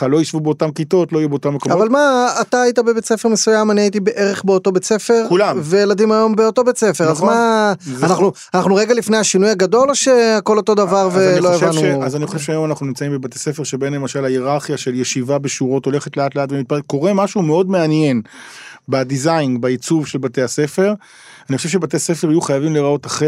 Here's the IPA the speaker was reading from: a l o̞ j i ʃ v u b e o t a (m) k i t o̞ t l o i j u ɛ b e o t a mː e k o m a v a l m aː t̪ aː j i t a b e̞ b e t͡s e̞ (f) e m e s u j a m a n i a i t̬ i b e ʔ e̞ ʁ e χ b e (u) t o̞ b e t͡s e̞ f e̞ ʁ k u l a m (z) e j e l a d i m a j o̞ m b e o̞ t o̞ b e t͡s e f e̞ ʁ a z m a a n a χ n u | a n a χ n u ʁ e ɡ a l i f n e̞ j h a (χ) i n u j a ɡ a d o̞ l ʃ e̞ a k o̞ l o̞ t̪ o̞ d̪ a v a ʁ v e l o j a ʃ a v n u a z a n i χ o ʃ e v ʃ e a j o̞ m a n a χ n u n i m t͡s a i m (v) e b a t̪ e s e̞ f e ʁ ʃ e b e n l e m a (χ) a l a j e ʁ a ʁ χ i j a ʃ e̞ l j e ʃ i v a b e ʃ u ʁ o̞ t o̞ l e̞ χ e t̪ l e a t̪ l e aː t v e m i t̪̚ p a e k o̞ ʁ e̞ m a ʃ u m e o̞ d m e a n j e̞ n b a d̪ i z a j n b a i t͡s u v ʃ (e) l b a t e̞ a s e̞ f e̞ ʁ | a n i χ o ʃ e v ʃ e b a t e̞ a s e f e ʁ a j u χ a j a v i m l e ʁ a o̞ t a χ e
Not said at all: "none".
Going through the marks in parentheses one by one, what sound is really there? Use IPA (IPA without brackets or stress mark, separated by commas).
m, f, o, v, ʃ, b, ʃ, e